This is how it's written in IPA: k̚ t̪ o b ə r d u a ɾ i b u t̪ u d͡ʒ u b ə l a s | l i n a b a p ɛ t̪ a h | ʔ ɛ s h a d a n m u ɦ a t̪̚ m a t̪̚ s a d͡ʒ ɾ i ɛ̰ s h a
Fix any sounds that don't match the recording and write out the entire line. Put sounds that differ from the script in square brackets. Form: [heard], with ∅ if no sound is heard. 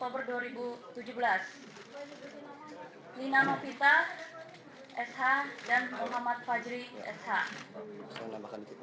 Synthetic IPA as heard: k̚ t̪ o b ə r d u a ɾ i b u t̪ u d͡ʒ u b ə l a s | l i n a [m] a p [i] t̪ a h | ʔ ɛ s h a d a n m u ɦ a [∅] m a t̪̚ [f] a d͡ʒ ɾ i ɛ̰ s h a